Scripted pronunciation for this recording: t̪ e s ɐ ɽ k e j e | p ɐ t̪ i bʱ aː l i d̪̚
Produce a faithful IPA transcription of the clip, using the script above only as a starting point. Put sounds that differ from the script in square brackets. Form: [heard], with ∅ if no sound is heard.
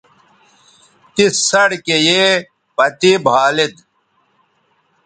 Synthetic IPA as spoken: t̪ [i] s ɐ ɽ k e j e | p ɐ t̪ i bʱ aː l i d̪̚